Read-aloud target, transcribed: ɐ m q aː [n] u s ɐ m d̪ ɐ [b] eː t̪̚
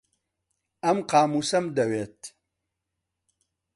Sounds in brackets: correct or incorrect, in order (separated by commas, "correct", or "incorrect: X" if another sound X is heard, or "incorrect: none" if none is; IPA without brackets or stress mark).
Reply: incorrect: m, incorrect: w